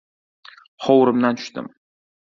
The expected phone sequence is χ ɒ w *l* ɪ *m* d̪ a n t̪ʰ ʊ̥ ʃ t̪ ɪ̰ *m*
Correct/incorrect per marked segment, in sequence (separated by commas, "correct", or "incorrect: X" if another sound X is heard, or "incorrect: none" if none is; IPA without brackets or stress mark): incorrect: ɾ, correct, correct